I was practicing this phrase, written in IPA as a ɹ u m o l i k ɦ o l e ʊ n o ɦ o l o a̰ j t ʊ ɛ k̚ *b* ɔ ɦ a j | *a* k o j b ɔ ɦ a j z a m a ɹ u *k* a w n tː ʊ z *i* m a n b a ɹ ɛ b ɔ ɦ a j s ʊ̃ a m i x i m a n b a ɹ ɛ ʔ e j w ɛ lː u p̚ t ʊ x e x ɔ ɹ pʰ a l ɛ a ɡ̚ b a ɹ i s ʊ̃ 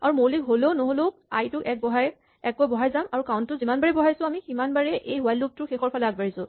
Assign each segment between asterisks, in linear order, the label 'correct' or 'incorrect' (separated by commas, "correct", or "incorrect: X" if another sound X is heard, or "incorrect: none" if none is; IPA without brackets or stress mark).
correct, incorrect: ɛ, correct, correct